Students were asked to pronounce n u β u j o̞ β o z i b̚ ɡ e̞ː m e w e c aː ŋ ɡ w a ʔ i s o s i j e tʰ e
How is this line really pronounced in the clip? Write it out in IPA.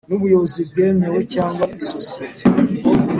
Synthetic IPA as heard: n u β u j o̞ β o z i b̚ ɡ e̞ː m e w e c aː ŋ ɡ w a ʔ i s o s i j e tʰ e